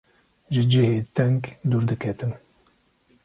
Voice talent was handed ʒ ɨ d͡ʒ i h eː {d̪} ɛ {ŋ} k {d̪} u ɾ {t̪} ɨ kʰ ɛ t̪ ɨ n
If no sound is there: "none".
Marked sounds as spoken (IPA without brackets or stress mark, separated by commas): t̪, ŋ, d̪, d̪